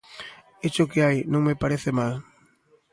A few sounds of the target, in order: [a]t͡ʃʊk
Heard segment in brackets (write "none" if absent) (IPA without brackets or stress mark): e